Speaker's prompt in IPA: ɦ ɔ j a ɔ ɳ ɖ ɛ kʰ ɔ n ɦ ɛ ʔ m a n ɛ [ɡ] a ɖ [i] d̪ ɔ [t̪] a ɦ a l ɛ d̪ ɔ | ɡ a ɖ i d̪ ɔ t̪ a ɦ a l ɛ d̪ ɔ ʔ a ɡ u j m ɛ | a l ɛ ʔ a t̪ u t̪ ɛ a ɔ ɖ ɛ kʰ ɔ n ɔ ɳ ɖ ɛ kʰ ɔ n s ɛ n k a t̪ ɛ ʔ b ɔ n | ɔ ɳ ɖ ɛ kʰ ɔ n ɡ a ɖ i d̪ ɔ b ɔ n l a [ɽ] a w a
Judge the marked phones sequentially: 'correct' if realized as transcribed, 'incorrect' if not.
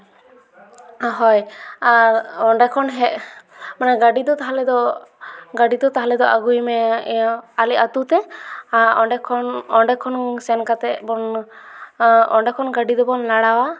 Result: correct, correct, correct, correct

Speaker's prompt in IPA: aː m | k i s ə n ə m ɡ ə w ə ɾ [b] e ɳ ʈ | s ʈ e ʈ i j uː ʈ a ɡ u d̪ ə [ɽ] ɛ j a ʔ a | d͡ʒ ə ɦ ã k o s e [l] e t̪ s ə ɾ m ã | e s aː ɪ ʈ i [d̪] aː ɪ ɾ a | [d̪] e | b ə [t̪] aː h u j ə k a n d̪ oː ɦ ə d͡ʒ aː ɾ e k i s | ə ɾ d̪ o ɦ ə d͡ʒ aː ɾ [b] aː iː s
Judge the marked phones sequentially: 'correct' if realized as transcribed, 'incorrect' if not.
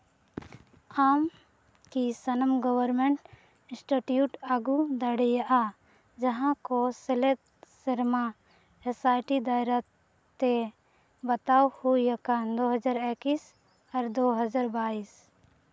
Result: incorrect, correct, correct, correct, incorrect, correct, correct

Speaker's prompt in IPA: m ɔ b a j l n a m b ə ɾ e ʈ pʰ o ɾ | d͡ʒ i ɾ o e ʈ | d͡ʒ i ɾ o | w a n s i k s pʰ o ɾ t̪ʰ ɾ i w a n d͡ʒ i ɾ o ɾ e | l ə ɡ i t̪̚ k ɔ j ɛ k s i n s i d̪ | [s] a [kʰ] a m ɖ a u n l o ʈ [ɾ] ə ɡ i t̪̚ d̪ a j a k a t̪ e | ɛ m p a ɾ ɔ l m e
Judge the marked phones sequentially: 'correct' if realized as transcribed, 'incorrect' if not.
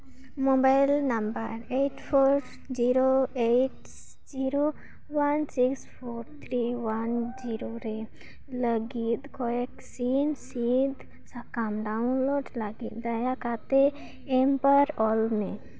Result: correct, incorrect, incorrect

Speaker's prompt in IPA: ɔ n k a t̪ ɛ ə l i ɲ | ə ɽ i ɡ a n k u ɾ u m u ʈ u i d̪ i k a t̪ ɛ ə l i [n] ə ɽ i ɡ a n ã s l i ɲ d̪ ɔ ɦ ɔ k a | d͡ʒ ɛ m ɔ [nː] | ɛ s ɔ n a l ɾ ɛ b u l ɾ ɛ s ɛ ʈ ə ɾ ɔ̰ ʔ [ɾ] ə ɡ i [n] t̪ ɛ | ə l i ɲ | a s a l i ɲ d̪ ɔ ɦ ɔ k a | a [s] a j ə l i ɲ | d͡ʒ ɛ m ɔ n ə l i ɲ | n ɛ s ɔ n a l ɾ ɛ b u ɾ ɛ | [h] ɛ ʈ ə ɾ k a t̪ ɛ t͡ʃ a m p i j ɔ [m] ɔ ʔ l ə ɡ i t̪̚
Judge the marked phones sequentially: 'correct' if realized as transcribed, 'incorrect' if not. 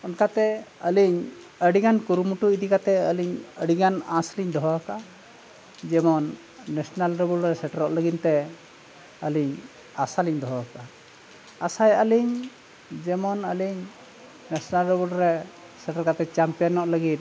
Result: incorrect, correct, incorrect, correct, correct, incorrect, incorrect

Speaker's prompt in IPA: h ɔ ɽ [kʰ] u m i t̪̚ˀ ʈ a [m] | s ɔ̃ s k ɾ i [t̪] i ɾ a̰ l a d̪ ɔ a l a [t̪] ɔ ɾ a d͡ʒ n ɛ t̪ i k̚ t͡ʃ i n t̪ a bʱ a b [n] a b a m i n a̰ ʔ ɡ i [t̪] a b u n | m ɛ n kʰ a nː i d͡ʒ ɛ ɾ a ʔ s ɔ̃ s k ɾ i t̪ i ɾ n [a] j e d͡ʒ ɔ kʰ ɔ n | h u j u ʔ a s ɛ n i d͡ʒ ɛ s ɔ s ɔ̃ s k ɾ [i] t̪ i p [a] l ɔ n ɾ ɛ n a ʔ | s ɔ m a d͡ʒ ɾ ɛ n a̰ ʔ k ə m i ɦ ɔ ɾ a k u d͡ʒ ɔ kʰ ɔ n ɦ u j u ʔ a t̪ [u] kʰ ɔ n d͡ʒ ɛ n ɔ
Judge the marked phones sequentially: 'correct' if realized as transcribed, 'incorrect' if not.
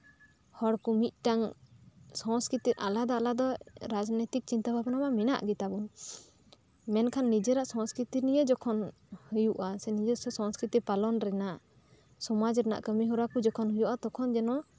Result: incorrect, incorrect, correct, incorrect, correct, correct, incorrect, correct, correct, incorrect

